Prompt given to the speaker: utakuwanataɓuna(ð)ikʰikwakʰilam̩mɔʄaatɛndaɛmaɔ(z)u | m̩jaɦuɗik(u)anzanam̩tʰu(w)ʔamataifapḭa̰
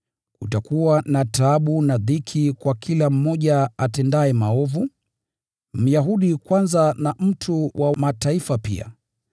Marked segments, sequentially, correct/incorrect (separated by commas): correct, incorrect, incorrect, correct